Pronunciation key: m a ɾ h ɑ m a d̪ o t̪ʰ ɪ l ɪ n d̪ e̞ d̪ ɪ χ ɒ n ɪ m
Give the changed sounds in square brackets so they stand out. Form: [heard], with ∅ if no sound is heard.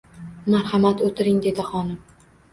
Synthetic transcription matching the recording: m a ɾ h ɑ m a [t̪] o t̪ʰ ɪ [ɾ] ɪ [ŋ] d̪ e̞ d̪ ɪ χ ɒ n ɪ m